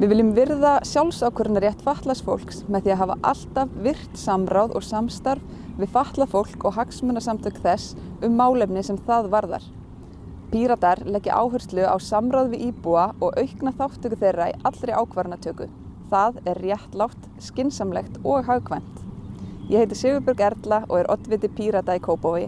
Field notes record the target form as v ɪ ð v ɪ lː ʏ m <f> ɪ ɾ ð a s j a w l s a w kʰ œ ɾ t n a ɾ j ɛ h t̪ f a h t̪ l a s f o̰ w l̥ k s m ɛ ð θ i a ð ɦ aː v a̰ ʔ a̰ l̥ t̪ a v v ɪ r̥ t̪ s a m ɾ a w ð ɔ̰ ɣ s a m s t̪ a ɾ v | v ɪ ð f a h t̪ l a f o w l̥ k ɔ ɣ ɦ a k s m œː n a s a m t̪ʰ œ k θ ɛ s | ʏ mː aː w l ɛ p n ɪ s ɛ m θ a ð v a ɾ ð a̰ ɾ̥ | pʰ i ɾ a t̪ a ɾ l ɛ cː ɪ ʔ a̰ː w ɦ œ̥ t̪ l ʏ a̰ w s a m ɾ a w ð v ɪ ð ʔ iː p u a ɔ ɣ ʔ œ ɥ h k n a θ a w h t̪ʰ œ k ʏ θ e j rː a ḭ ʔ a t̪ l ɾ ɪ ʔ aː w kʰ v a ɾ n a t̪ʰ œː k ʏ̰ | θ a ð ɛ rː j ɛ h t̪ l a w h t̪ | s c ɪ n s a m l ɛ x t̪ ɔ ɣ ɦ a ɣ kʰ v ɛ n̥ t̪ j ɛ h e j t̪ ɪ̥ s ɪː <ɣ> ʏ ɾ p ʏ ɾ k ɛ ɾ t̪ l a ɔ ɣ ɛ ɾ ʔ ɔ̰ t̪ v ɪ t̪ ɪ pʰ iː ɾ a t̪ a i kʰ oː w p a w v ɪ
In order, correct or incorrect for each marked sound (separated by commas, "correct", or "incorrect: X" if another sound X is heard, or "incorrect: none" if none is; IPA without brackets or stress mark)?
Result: incorrect: v, incorrect: v